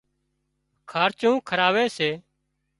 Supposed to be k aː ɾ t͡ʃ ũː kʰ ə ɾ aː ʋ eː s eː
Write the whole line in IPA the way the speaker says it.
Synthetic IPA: kʰ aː ɾ t͡ʃ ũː kʰ ə ɾ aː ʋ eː s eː